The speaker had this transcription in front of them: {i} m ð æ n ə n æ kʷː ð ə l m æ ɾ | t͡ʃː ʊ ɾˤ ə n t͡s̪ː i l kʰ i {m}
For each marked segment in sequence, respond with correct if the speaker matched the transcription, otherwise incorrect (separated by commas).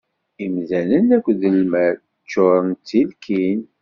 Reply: correct, incorrect